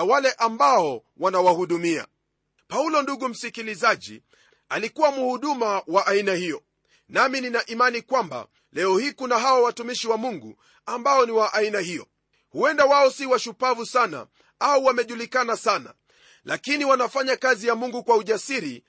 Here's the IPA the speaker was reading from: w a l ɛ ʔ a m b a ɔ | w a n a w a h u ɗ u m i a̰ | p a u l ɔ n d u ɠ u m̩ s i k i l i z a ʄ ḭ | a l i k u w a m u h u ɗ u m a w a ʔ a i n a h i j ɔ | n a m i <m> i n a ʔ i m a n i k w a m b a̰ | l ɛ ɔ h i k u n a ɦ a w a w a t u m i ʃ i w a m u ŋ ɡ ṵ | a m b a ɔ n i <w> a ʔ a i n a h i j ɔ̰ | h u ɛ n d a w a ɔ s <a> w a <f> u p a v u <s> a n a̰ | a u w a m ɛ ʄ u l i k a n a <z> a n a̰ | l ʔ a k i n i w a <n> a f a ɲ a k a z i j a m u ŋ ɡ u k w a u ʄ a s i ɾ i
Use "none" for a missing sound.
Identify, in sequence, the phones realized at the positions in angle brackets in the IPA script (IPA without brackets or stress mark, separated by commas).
n, w, i, ʃ, s, s, n